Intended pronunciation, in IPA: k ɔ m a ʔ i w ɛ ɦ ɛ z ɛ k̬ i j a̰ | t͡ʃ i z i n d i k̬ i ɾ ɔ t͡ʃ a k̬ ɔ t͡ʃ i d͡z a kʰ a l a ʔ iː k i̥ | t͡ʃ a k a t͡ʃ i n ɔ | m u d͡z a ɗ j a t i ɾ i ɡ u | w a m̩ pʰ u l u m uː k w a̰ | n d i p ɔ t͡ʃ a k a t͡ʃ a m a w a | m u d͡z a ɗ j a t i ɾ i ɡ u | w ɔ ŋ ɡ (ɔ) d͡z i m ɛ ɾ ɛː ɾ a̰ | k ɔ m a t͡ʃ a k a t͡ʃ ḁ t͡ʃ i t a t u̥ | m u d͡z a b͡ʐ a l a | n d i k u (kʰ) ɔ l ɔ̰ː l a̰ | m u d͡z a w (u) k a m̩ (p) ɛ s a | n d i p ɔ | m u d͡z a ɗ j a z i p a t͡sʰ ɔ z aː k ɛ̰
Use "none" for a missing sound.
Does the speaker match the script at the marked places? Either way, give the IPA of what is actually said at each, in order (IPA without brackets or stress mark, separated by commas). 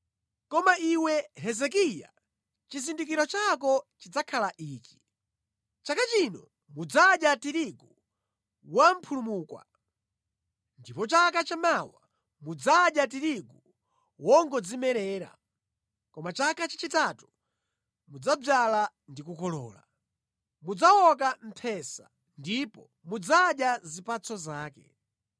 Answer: ɔ, k, ɔ, pʰ